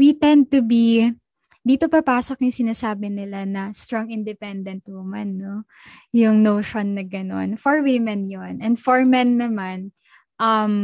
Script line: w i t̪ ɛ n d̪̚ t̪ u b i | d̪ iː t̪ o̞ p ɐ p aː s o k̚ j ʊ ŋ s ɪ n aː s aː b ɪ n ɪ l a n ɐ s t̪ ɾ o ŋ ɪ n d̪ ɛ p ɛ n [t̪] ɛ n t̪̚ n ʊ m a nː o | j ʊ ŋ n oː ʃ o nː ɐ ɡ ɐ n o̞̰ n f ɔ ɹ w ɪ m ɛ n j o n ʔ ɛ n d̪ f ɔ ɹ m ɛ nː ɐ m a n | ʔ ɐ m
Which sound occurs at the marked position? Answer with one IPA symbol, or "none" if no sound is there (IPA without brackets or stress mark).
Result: d̪